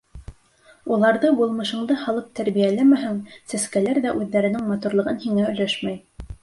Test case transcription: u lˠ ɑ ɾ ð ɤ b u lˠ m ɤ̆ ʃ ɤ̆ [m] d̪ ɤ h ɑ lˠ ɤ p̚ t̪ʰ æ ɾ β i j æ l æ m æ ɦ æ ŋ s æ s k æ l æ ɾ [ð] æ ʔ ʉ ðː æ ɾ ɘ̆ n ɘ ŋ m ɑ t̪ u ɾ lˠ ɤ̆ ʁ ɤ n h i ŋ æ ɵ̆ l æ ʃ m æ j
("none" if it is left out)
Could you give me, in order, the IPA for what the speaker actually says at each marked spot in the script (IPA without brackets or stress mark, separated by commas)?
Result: ɴ, ð